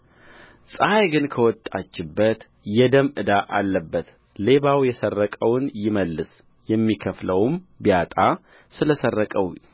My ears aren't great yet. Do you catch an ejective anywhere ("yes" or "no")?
yes